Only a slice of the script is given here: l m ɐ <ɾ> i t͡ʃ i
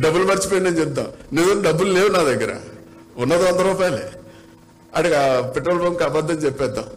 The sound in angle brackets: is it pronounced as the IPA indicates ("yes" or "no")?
yes